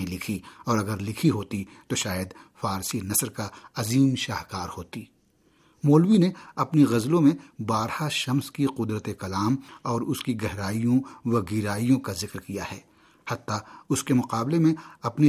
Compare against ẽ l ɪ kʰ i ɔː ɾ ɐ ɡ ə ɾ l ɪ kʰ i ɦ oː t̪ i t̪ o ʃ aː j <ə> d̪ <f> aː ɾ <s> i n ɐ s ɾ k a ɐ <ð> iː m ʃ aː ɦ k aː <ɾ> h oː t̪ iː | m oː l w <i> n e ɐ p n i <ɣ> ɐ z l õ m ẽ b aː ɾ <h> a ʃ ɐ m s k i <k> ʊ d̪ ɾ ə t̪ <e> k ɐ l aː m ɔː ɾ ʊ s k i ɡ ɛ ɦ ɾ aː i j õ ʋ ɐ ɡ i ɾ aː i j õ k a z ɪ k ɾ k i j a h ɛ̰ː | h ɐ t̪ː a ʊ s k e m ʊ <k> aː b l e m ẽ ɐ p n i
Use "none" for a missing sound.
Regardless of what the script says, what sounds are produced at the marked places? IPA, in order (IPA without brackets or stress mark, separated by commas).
ə, f, s, z, ɾ, i, ɣ, h, q, e, q